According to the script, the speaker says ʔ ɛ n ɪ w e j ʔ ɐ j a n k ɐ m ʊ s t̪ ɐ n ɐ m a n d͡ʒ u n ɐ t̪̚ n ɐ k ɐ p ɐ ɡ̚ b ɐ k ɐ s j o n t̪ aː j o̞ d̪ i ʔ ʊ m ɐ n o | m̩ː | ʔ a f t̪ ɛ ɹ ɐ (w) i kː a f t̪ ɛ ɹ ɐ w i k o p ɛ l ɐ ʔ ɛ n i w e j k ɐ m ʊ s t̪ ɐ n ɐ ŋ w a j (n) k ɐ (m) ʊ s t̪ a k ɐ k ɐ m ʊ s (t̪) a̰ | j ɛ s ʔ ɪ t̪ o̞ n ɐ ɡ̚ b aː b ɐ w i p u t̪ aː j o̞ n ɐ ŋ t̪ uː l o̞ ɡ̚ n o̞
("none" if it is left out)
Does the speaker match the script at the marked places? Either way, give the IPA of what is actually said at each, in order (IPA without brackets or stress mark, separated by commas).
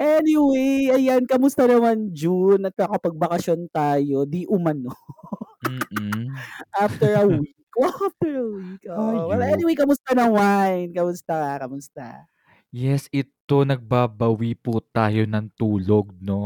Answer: w, n, m, t̪